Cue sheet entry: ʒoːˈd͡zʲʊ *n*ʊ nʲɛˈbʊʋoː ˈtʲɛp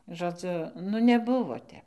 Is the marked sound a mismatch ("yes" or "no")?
no